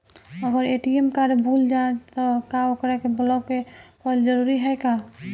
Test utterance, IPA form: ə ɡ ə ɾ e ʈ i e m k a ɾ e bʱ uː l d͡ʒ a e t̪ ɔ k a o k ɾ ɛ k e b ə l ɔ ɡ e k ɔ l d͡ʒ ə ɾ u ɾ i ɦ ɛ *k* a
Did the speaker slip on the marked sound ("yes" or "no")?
no